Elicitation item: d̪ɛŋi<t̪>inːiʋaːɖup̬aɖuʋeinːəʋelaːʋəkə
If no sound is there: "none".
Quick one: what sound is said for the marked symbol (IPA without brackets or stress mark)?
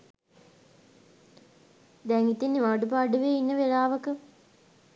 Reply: t̪